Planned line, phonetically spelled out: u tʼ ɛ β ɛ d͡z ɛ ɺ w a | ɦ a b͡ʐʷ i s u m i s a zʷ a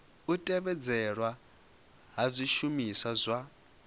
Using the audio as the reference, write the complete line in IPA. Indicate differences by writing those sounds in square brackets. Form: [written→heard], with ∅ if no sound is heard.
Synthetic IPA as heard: u tʼ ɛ β ɛ d͡z ɛ ɺ w a | ɦ a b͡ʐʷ i [s→ʃ] u m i s a zʷ a